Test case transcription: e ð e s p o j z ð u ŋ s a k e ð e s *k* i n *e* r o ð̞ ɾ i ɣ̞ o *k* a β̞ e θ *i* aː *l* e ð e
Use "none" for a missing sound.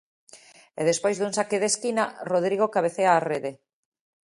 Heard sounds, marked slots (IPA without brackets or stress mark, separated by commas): k, a, k, e, r